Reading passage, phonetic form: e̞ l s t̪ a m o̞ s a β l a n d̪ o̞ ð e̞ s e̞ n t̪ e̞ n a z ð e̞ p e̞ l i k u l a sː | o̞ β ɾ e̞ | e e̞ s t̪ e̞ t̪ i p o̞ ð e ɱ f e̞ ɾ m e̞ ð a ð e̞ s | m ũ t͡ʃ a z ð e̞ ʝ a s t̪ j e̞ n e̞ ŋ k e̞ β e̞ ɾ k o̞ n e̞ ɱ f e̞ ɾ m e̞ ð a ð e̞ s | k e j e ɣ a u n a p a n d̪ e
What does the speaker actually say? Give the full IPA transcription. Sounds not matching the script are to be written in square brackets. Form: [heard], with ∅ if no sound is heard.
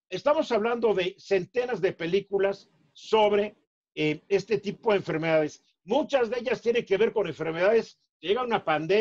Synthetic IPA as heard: e̞ [∅] s t̪ a m o̞ s a β l a n d̪ o̞ ð e̞ s e̞ n t̪ e̞ n a z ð e̞ p e̞ l i k u l a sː | o̞ β ɾ e̞ | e e̞ s t̪ e̞ t̪ i p o̞ ð e ɱ f e̞ ɾ m e̞ ð a ð e̞ s | m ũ t͡ʃ a z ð e̞ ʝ a s t̪ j e̞ n e̞ ŋ k e̞ β e̞ ɾ k o̞ n e̞ ɱ f e̞ ɾ m e̞ ð a ð e̞ s | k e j e ɣ a u n a p a n d̪ e